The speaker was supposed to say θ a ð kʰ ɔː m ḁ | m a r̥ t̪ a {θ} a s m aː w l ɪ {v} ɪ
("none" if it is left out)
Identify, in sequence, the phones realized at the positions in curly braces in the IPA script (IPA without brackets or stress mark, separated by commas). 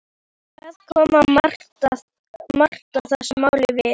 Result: θ, v